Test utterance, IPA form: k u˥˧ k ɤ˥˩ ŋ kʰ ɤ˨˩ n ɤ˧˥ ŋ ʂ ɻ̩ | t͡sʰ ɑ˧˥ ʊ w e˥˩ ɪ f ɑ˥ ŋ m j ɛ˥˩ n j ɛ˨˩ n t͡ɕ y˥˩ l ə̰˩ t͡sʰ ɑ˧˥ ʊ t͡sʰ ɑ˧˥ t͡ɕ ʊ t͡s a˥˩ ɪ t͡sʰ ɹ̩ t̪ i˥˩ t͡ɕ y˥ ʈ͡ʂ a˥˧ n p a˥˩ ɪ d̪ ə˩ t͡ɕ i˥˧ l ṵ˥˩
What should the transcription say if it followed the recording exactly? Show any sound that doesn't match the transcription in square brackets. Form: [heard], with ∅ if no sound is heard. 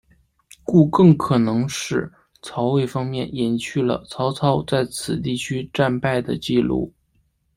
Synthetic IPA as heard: k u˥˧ k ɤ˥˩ ŋ kʰ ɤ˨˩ n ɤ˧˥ ŋ ʂ ɻ̩ | t͡sʰ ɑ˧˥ ʊ w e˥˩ ɪ f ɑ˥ ŋ m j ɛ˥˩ n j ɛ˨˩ n [t͡ɕʰ] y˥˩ l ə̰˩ t͡sʰ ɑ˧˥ ʊ t͡sʰ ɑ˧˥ [∅] ʊ t͡s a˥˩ ɪ t͡sʰ ɹ̩ t̪ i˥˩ [t͡ɕʰ] y˥ ʈ͡ʂ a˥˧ n p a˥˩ ɪ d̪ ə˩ t͡ɕ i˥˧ l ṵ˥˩